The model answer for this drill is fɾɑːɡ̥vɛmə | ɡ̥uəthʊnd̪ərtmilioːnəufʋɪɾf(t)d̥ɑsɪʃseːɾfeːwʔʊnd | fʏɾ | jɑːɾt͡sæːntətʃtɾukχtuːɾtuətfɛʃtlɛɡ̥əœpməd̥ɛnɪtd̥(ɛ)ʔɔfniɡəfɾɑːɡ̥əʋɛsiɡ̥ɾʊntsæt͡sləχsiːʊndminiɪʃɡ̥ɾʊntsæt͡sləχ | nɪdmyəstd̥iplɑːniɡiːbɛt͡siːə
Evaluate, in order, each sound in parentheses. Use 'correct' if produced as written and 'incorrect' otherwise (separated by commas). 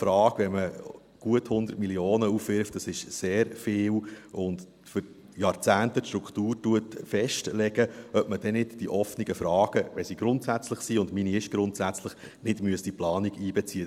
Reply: correct, incorrect